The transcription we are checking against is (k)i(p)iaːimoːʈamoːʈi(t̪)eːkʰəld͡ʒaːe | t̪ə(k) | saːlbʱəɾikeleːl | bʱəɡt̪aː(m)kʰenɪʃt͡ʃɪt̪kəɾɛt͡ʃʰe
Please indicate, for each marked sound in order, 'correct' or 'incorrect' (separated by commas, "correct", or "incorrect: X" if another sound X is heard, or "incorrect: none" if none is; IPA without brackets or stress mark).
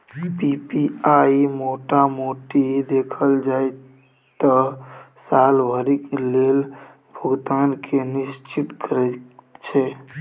incorrect: p, correct, incorrect: d̪, incorrect: none, incorrect: n